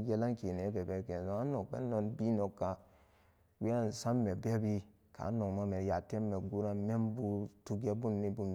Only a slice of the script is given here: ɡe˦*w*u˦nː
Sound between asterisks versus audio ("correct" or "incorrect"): incorrect